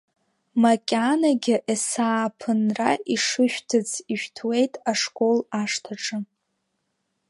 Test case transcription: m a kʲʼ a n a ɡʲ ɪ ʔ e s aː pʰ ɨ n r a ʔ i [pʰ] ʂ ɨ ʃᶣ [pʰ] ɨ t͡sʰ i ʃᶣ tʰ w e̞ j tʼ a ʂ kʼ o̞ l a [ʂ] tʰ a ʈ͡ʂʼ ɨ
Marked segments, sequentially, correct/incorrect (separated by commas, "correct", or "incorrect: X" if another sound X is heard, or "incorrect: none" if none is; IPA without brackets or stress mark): incorrect: none, incorrect: tʰ, correct